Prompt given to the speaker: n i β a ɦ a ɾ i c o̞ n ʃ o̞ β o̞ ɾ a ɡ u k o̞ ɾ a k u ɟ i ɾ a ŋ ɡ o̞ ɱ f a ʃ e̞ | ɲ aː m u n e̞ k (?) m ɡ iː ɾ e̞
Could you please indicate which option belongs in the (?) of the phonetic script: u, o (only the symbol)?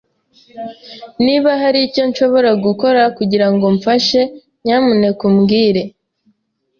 u